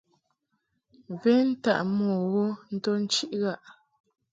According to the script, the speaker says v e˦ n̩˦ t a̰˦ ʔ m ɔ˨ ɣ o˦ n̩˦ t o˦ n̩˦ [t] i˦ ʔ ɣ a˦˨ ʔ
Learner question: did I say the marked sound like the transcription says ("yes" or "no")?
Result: no